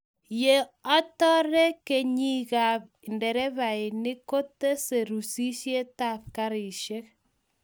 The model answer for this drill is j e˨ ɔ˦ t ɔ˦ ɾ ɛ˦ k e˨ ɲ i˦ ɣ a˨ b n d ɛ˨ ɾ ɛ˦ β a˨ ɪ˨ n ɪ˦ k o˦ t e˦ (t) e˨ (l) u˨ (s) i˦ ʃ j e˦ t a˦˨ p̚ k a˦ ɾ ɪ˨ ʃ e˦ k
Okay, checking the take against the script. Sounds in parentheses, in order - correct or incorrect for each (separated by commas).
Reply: incorrect, incorrect, correct